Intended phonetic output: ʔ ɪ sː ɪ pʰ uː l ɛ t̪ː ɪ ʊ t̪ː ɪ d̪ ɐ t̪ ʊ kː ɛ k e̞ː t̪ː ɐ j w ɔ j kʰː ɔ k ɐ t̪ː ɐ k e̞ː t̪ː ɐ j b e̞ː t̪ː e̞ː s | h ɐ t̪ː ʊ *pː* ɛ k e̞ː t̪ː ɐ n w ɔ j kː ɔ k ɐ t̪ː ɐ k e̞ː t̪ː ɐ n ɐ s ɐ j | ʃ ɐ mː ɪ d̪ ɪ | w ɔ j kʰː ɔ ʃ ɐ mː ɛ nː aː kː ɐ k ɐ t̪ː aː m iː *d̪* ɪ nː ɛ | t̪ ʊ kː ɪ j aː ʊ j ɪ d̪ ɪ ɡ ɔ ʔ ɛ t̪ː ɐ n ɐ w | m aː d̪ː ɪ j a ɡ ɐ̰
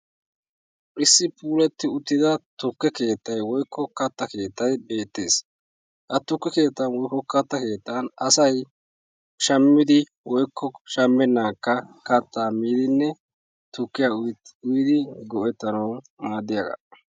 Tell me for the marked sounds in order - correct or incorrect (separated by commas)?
incorrect, correct